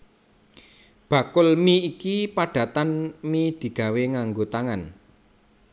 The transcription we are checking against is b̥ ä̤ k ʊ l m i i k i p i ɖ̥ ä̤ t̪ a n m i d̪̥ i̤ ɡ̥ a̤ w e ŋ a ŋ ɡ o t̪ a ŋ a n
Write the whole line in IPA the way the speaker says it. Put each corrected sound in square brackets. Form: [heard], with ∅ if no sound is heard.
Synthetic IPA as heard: b̥ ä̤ k ʊ l m i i k i p [a] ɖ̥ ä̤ t̪ a n m i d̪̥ i̤ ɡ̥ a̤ w e ŋ a ŋ ɡ o t̪ a ŋ a n